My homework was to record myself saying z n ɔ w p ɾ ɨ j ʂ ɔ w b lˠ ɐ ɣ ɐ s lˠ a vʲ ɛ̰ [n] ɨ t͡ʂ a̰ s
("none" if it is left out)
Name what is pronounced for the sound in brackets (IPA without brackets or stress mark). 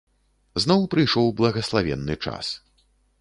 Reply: nː